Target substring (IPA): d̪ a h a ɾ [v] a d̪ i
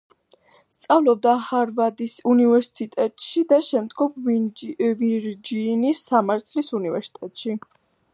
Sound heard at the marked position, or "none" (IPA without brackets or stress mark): v